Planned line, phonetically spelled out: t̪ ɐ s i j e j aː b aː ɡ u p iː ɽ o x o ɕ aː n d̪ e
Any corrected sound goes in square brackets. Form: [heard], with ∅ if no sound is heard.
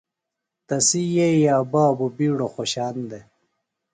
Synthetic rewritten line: t̪ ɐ s i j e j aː b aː [b] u [b] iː ɽ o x o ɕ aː n d̪ e